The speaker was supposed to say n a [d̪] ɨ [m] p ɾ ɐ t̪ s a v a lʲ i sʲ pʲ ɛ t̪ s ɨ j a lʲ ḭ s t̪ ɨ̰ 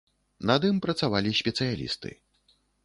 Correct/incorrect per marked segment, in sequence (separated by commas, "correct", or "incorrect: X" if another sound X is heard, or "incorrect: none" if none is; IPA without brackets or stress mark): correct, correct